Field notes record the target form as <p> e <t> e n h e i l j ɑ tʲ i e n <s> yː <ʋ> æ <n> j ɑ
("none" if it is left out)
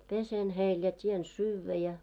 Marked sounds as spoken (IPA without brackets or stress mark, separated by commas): p, s, s, ʋː, none